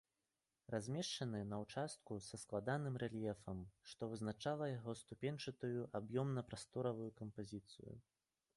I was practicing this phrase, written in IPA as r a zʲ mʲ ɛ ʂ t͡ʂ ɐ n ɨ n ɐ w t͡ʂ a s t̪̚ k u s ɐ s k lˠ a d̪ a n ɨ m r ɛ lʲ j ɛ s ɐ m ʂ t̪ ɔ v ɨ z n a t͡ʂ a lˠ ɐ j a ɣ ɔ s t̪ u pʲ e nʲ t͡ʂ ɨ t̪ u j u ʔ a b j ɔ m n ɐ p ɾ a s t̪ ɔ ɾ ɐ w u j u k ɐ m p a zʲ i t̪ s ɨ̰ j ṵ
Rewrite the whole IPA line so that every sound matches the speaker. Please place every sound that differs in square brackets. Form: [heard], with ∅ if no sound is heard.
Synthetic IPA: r a zʲ mʲ ɛ ʂ t͡ʂ ɐ n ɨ n ɐ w t͡ʂ a s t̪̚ k u s ɐ s k lˠ a d̪ a n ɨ m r ɛ lʲ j ɛ [f] ɐ m ʂ t̪ ɔ v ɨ z n a t͡ʂ a lˠ ɐ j a ɣ ɔ s t̪ u pʲ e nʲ t͡ʂ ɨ t̪ u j u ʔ a b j ɔ m n ɐ p ɾ a s t̪ ɔ ɾ ɐ [v] u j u k ɐ m p a zʲ i t̪ s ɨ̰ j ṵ

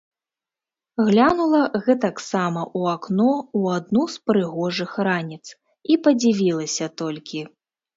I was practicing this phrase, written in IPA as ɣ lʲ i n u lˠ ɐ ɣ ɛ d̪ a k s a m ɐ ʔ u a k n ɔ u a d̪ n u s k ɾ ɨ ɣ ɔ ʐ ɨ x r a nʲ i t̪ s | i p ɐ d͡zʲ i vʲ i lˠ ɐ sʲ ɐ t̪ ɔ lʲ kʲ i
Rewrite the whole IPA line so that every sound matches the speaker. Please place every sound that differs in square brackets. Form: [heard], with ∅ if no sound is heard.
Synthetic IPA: ɣ lʲ [a] n u lˠ ɐ ɣ ɛ [t̪] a k s a m ɐ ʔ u a k n ɔ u a d̪ n u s [p] ɾ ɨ ɣ ɔ ʐ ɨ x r a nʲ i t̪ s | i p ɐ d͡zʲ i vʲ i lˠ ɐ sʲ ɐ t̪ ɔ lʲ kʲ i

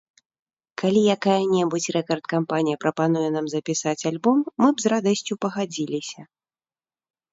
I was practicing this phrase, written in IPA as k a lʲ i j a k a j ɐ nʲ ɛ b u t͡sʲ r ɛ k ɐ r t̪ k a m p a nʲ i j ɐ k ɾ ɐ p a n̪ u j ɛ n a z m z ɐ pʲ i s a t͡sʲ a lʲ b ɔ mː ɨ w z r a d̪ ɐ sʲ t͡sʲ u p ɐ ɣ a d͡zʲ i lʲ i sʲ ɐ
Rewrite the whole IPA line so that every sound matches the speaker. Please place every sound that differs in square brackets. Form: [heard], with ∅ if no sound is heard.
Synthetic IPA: k a lʲ i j a k a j ɐ nʲ ɛ b u t͡sʲ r ɛ k ɐ r t̪ k a m p a nʲ i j ɐ [p] ɾ ɐ p a n̪ u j ɛ n a [∅] m z ɐ pʲ i s a t͡sʲ a lʲ b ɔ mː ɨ [b] z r a d̪ ɐ sʲ t͡sʲ u p ɐ ɣ a d͡zʲ i lʲ i sʲ ɐ

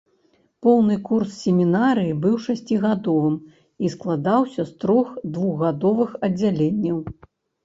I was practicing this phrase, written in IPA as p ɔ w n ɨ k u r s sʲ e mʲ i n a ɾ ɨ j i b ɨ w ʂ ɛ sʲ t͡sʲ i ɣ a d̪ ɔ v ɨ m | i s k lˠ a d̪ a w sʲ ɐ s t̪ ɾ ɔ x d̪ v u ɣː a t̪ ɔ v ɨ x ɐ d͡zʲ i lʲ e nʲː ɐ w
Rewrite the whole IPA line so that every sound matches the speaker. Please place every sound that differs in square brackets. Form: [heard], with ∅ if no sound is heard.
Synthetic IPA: p ɔ w n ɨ k u r s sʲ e mʲ i n a ɾ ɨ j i b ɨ w ʂ [a] sʲ t͡sʲ i ɣ a d̪ ɔ v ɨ m | i s k lˠ a d̪ a w sʲ ɐ s t̪ ɾ ɔ x d̪ v u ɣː a [d̪] ɔ v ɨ x ɐ d͡zʲ [a] lʲ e nʲː ɐ w

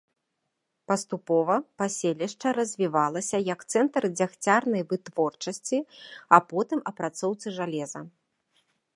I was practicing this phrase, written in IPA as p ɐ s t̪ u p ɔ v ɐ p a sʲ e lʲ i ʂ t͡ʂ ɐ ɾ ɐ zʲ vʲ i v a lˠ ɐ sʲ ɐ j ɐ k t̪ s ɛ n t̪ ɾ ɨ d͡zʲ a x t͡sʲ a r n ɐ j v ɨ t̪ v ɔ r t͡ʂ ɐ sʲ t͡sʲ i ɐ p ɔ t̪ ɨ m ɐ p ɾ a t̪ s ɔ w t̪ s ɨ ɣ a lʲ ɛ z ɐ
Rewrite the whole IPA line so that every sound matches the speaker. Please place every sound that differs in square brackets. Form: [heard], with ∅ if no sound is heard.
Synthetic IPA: p ɐ s t̪ u p ɔ v ɐ p a sʲ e lʲ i ʂ t͡ʂ ɐ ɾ ɐ zʲ vʲ i v a lˠ ɐ sʲ ɐ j ɐ k t̪ s ɛ n t̪ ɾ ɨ d͡zʲ a x t͡sʲ a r n ɐ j v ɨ t̪ v ɔ r t͡ʂ ɐ sʲ t͡sʲ i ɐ p ɔ t̪ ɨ m ɐ p ɾ a t̪ s ɔ w t̪ s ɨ [ʐ] a lʲ ɛ z ɐ

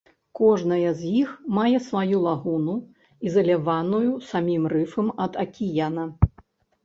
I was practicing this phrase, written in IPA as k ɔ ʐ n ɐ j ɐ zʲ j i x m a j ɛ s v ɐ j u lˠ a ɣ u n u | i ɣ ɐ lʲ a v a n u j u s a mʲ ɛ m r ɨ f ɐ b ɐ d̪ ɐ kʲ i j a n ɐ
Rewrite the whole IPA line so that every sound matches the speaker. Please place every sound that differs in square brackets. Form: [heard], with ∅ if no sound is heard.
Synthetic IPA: k ɔ ʐ n ɐ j ɐ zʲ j i x m a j ɛ s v [a] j u lˠ a ɣ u n u | i [z] ɐ lʲ a v a n u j u s a mʲ [i] m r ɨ f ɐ [m] ɐ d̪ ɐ kʲ i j a n ɐ

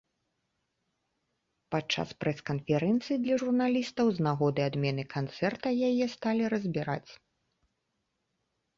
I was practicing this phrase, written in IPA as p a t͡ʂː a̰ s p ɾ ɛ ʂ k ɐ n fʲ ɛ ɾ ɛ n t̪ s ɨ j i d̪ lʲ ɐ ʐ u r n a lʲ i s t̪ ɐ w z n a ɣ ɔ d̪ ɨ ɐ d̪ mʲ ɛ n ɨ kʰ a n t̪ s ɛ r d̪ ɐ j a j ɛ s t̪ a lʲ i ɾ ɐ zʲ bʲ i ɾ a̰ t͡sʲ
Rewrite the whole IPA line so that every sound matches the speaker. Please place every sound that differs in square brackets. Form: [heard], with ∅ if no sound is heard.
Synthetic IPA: p a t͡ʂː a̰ s p ɾ ɛ [s] k ɐ n fʲ ɛ ɾ ɛ n t̪ s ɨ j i d̪ lʲ ɐ ʐ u r n a lʲ i s t̪ ɐ w z n a ɣ ɔ d̪ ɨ [a] d̪ mʲ ɛ n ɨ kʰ a n t̪ s ɛ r [t̪] ɐ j a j ɛ s t̪ a lʲ i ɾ ɐ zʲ bʲ i ɾ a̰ t͡sʲ

